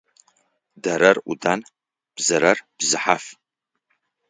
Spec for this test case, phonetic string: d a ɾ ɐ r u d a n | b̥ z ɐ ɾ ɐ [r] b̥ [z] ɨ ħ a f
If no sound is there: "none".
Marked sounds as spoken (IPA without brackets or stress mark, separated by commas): r, z